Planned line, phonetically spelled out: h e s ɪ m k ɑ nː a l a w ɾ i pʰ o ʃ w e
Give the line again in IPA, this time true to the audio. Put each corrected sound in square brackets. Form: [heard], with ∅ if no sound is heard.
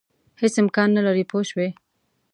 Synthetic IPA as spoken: h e s ɪ m k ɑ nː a l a [∅] ɾ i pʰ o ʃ w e